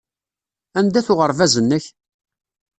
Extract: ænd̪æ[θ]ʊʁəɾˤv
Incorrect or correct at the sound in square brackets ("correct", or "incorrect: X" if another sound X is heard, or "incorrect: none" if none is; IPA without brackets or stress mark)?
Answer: correct